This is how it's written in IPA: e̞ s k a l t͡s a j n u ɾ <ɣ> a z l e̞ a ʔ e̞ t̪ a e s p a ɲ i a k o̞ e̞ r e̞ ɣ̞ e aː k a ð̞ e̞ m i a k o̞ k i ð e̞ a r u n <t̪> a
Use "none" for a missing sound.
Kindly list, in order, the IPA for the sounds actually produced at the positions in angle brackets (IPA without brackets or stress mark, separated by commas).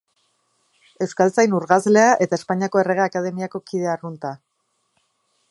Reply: ɣ, t̪